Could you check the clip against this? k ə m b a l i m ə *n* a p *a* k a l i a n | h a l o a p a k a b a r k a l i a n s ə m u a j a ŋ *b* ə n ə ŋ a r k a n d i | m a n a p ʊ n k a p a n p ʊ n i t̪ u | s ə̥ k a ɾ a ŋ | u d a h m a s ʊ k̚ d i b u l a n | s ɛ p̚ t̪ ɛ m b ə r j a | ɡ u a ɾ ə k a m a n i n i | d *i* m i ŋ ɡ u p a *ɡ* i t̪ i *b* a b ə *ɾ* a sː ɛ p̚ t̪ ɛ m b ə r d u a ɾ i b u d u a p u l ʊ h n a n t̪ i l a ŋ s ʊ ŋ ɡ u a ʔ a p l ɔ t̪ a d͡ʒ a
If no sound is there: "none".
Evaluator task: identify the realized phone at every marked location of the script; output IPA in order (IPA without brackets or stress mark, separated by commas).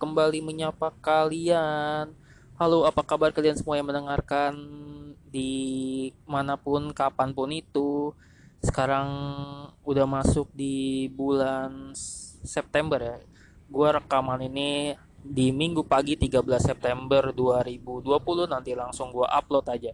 ɲ, a, m, i, ɡ, ɡ, l